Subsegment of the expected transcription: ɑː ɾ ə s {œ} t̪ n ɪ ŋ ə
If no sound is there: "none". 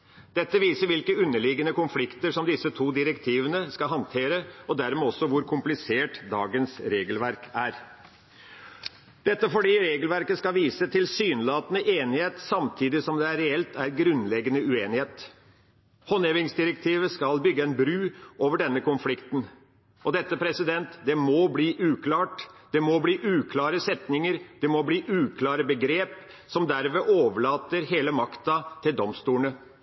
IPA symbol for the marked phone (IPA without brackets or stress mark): ɛ